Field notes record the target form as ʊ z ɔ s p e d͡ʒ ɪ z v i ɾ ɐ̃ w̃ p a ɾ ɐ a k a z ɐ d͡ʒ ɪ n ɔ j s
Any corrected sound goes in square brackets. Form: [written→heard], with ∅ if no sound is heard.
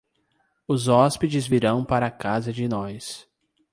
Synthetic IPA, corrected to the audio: ʊ z ɔ s p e d͡ʒ ɪ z v i ɾ ɐ̃ w̃ p a ɾ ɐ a k a z ɐ d͡ʒ ɪ n ɔ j s